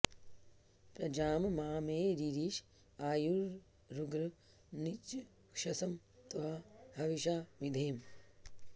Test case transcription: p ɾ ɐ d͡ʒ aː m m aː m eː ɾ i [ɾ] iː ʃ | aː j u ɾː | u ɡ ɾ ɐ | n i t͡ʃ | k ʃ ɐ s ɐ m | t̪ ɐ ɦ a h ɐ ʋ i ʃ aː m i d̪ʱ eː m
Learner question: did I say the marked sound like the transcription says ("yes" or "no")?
yes